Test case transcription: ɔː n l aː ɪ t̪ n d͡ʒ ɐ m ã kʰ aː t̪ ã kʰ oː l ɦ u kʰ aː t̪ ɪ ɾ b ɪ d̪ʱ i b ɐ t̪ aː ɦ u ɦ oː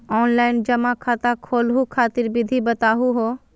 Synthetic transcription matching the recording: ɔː n l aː ɪ n d͡ʒ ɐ m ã kʰ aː t̪ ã kʰ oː l ɦ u kʰ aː t̪ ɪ ɾ b ɪ d̪ʱ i b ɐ t̪ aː ɦ u ɦ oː